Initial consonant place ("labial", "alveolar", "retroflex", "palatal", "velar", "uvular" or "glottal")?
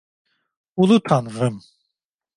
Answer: alveolar